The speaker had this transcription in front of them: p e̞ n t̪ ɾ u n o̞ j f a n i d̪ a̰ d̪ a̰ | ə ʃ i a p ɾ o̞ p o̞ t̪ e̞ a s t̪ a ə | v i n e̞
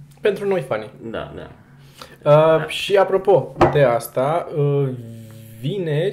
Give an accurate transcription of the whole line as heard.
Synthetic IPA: p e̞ n t̪ ɾ u n o̞ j f a n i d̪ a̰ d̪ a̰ | ə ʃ i a p ɾ o̞ p o̞ d̪ e̞ a s t̪ a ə | v i n e̞